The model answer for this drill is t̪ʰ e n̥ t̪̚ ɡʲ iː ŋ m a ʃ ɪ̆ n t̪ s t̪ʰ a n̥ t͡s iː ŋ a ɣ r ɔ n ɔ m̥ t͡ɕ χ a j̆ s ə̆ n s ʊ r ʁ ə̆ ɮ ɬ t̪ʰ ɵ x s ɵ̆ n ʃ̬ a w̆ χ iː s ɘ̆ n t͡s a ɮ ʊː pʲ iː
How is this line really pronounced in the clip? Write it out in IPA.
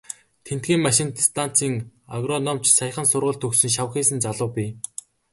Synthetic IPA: t̪ʰ e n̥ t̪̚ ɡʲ iː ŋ m a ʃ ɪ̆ n t̪ s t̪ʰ a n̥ t͡s iː ŋ a ɣ r ɔ n ɔ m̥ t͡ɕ s a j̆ χ ə̆ n s ʊ r ʁ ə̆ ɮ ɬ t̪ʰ ɵ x s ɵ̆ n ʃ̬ a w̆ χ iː s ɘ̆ n t͡s a ɮ ʊː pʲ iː